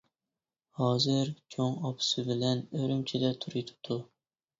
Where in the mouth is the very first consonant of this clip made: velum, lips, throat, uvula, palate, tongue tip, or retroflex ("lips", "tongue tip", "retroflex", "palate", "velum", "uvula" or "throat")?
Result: throat